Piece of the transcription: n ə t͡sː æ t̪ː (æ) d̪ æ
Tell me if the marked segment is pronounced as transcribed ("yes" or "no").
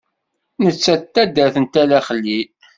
yes